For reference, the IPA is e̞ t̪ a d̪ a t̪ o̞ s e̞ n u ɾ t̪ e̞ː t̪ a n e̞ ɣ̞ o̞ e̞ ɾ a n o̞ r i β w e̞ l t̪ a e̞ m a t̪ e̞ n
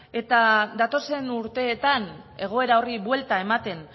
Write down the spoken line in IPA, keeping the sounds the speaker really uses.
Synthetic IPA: e̞ t̪ a d̪ a t̪ o̞ s e̞ n u ɾ t̪ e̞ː t̪ a n e̞ ɣ̞ o̞ e̞ ɾ a o̞ r i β w e̞ l t̪ a e̞ m a t̪ e̞ n